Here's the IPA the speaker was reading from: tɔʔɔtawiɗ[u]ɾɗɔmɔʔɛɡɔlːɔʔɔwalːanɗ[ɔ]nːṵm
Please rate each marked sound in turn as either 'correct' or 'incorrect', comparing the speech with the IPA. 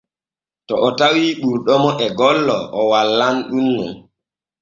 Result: correct, incorrect: u

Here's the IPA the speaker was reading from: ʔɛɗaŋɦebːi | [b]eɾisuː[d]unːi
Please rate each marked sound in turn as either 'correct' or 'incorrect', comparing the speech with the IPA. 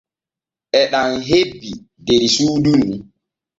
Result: incorrect: d, correct

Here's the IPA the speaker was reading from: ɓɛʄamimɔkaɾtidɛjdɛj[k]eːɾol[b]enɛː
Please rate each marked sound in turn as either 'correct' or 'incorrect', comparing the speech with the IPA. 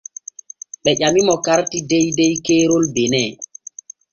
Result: correct, correct

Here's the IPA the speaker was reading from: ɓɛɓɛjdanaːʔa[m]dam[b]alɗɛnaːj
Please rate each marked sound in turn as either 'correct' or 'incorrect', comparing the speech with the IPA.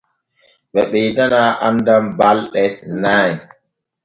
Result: incorrect: n, correct

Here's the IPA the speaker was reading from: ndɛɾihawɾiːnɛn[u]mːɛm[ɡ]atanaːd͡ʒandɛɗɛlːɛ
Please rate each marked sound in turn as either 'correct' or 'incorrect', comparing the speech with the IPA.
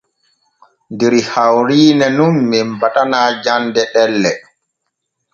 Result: correct, incorrect: b

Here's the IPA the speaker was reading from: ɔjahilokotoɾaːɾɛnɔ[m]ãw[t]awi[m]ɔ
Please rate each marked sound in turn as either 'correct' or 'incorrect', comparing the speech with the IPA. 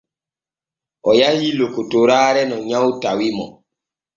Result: incorrect: ɲ, correct, correct

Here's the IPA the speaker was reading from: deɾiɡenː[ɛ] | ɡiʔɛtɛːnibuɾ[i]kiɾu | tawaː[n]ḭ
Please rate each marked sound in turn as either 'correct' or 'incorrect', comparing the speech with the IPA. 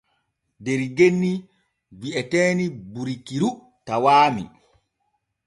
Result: incorrect: i, correct, incorrect: m

